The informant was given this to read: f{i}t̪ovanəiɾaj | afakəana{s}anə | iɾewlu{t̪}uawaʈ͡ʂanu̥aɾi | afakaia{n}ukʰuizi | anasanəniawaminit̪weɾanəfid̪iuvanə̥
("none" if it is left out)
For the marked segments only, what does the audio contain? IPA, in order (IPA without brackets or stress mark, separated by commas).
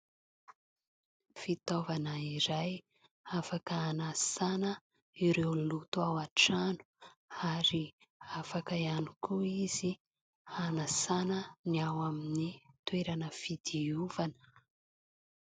i, s, t̪, n